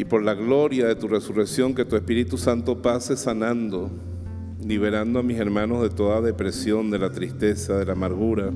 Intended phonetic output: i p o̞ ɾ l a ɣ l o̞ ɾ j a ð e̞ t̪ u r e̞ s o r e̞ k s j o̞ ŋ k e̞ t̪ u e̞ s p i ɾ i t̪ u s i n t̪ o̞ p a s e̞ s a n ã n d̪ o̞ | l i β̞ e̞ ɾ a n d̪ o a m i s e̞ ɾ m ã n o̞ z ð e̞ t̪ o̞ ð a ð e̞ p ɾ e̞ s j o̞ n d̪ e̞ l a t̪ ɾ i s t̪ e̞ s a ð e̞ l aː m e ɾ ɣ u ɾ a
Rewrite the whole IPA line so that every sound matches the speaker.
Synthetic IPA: i p o̞ ɾ l a ɣ l o̞ ɾ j a ð e̞ t̪ u r e̞ s u r e̞ k s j o̞ ŋ k e̞ t̪ u e̞ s p i ɾ i t̪ u s a n t̪ o̞ p a s e̞ s a n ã n d̪ o̞ | l i β̞ e̞ ɾ a n d̪ o a m i s e̞ ɾ m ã n o̞ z ð e̞ t̪ o̞ ð a ð e̞ p ɾ e̞ s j o̞ n d̪ e̞ l a t̪ ɾ i s t̪ e̞ s a ð e̞ l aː m a ɾ ɣ u ɾ a